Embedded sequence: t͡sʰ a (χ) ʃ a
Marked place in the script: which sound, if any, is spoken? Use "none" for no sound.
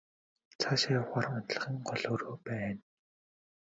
none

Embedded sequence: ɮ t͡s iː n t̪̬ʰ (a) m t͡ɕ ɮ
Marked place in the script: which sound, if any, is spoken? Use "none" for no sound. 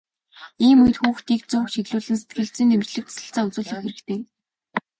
e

